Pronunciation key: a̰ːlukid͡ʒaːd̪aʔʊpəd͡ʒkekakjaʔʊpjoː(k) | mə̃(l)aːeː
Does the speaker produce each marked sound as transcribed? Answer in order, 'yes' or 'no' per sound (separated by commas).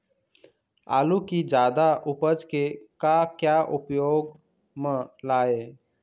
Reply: no, yes